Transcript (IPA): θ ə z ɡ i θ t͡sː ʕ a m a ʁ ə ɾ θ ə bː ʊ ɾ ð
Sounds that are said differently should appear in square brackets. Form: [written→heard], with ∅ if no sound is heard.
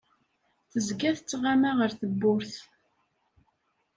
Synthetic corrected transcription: θ ə z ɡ [i→æ] θ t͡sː [ʕ→ʁ] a m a ʁ ə ɾ θ ə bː ʊ ɾ [ð→θ]